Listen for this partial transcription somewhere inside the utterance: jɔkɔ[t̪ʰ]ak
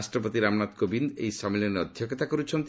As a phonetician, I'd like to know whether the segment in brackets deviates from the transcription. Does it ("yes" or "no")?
yes